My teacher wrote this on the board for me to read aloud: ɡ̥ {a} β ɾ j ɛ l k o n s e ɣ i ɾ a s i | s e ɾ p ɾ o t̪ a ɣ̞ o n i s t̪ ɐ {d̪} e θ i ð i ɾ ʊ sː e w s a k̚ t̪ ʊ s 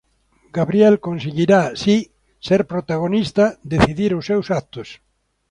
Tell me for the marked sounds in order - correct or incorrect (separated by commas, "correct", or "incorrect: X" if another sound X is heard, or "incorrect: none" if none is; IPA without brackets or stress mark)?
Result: correct, correct